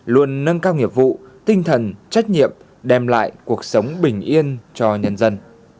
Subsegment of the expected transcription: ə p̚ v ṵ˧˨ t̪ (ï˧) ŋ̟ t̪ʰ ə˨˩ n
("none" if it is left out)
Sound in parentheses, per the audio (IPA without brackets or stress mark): ï˧